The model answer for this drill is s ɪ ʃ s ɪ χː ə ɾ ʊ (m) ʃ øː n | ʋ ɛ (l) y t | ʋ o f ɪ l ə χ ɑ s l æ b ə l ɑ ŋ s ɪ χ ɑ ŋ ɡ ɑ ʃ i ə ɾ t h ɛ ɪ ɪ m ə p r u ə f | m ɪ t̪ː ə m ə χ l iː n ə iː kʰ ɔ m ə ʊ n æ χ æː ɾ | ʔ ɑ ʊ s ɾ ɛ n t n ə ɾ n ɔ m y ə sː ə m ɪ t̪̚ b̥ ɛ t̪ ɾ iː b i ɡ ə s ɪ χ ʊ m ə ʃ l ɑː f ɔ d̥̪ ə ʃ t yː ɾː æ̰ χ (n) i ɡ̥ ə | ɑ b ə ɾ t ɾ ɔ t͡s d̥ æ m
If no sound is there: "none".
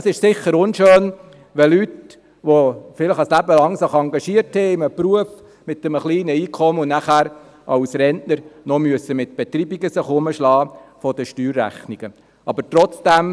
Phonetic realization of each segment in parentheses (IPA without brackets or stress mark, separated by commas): n, l, n